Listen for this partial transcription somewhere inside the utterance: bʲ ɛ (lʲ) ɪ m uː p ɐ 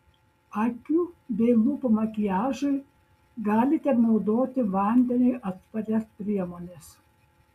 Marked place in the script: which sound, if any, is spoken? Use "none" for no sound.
none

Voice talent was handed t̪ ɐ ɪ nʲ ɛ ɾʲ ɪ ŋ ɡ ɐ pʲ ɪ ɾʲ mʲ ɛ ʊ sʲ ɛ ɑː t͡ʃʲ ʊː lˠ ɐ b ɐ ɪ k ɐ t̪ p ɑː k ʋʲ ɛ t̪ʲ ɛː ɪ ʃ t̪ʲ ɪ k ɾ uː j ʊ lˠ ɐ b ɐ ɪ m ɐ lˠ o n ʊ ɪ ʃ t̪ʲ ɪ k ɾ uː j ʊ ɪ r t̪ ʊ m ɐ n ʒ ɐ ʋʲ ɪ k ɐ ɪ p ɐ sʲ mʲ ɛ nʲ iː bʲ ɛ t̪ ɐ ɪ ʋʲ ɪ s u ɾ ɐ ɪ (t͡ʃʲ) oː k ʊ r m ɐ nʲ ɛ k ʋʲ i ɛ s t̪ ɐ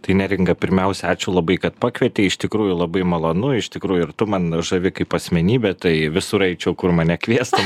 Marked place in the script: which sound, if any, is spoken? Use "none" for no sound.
t͡ʃʲ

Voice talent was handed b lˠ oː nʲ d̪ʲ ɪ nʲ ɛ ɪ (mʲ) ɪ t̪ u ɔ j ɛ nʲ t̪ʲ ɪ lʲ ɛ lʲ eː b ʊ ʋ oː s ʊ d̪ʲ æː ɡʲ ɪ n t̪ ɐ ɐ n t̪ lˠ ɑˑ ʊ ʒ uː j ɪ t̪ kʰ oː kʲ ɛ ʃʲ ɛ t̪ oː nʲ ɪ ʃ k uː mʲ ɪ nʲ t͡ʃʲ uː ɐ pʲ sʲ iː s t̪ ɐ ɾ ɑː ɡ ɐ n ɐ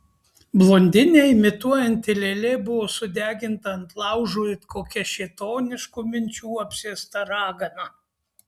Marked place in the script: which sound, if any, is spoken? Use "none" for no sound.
mʲ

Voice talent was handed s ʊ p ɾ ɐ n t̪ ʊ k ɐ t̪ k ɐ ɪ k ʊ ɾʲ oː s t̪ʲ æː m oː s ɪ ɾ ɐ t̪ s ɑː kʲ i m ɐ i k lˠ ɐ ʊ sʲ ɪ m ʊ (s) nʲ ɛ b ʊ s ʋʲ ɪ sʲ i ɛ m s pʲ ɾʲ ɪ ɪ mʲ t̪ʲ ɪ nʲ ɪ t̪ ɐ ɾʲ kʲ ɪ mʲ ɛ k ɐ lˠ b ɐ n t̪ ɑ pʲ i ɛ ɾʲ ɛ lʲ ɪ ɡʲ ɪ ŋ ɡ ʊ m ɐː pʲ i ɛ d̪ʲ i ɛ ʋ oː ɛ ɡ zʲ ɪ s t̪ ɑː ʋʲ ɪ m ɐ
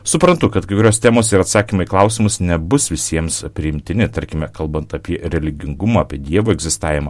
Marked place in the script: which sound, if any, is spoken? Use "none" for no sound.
s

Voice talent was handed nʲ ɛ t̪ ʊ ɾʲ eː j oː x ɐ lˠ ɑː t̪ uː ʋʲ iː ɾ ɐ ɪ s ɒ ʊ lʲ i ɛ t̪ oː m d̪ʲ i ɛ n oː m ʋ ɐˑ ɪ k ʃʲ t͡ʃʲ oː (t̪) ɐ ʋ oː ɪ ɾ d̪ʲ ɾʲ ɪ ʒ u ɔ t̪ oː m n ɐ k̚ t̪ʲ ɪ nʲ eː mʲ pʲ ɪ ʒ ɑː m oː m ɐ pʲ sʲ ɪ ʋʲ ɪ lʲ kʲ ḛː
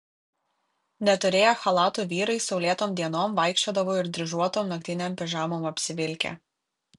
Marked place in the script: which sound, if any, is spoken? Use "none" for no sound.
d̪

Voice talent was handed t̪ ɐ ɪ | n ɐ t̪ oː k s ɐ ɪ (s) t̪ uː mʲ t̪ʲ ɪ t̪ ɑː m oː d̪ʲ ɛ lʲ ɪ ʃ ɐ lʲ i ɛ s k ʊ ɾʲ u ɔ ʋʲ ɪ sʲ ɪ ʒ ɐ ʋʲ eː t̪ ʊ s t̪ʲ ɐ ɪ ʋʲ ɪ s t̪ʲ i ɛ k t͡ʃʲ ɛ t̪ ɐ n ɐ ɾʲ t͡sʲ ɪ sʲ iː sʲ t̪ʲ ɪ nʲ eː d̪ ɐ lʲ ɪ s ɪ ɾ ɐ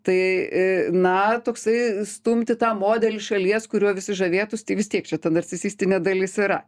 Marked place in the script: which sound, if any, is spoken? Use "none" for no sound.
s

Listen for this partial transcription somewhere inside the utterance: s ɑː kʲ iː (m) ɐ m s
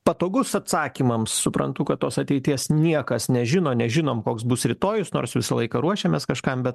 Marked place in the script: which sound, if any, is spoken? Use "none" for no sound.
m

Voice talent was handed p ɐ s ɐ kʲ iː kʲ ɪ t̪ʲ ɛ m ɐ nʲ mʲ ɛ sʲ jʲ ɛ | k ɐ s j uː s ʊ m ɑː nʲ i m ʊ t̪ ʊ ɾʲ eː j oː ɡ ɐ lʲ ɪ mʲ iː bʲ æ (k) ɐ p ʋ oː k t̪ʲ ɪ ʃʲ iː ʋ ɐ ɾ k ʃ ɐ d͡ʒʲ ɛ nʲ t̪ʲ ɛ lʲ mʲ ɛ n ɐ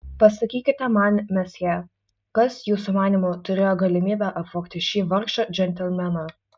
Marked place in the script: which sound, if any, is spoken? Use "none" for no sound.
ʔ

